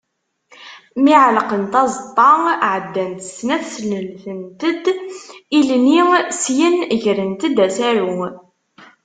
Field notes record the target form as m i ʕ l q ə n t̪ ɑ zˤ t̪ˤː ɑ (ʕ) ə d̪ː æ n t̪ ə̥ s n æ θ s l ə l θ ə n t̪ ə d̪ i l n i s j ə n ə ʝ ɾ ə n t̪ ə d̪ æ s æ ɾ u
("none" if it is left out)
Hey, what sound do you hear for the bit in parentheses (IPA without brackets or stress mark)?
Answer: ʕ